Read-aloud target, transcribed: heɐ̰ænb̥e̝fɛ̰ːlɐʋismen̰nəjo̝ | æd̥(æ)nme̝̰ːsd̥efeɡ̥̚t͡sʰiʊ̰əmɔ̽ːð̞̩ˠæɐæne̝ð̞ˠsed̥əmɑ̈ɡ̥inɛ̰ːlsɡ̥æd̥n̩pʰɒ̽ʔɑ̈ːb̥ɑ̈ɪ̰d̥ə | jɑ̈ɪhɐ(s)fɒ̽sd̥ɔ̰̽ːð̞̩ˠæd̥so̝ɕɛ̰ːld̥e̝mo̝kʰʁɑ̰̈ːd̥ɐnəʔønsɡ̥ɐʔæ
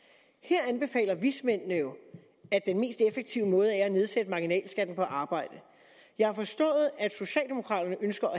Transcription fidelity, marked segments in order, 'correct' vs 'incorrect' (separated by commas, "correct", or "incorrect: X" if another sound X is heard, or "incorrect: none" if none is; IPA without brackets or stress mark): incorrect: e, incorrect: none